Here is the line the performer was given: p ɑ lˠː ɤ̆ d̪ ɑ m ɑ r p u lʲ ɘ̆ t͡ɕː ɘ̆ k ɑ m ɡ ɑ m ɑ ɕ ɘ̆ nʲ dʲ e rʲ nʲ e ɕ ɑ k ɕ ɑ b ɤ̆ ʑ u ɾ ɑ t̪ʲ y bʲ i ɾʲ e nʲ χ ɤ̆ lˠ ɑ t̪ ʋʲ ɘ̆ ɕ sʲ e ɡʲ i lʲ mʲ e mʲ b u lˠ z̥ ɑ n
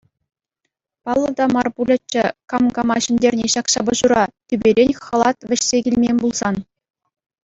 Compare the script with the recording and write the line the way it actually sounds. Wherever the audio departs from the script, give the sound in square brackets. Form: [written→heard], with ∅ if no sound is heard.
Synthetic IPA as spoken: p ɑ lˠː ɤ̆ d̪ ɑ m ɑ r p u lʲ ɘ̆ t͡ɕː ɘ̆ k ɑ m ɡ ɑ m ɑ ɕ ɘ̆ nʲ dʲ e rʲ nʲ e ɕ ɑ k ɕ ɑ b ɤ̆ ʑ u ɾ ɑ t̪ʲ y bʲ [i→e] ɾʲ e nʲ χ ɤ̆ lˠ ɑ t̪ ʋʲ ɘ̆ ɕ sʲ e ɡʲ i lʲ mʲ e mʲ b u lˠ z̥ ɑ n